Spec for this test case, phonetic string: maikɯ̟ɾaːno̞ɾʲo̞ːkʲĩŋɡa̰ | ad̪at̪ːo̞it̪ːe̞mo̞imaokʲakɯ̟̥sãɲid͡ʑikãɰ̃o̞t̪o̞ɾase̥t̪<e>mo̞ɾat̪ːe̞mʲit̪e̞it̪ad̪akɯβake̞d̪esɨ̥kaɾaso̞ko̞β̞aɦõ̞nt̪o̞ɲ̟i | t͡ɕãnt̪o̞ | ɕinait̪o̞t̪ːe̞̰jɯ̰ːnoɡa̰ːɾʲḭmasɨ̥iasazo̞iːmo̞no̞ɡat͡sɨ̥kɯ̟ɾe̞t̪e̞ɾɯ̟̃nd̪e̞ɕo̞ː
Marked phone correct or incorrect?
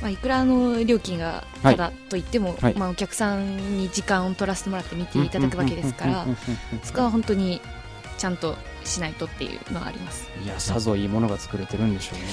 correct